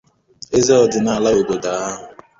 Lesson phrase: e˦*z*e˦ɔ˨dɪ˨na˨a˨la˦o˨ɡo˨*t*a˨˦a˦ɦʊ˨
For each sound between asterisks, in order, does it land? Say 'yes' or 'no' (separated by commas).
yes, no